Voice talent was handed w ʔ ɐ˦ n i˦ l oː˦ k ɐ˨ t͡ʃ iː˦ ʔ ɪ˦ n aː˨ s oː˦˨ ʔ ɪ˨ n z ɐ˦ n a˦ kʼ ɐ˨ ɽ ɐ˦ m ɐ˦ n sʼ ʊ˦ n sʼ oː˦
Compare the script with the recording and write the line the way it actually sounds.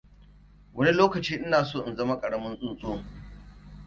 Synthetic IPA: w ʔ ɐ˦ n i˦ l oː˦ k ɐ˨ t͡ʃ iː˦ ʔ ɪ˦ n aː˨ s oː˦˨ ʔ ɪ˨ n z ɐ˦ m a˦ kʼ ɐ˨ ɽ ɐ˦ m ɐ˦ n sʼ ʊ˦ n sʼ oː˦